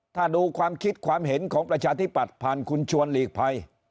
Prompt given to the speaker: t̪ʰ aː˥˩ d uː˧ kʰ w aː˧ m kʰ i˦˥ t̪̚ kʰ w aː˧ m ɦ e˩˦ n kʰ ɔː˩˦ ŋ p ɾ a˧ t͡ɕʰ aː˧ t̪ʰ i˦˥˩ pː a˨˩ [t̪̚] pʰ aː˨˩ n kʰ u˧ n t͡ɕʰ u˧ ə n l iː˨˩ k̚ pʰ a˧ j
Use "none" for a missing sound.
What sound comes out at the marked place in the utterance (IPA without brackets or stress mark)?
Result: t̪̚